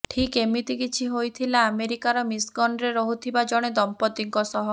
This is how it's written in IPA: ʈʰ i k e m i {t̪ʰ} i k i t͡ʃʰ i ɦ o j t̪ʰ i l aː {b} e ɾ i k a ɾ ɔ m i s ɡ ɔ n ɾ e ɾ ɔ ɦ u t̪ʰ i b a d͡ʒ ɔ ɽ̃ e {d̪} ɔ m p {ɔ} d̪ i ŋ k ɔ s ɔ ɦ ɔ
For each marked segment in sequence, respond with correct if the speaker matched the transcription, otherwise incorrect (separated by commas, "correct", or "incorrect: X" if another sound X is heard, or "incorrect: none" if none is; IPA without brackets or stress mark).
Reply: incorrect: t̪, incorrect: m, correct, correct